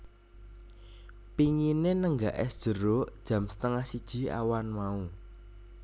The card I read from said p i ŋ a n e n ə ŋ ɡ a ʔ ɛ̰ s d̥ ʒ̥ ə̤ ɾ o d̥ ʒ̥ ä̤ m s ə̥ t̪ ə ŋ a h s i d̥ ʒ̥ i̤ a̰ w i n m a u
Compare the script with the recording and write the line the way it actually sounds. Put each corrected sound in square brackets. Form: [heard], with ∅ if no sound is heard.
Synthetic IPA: p i ŋ [i] n e n ə ŋ ɡ a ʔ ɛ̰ s d̥ ʒ̥ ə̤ ɾ o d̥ ʒ̥ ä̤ m s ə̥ t̪ ə ŋ a h s i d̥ ʒ̥ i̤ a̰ w [a] n m a u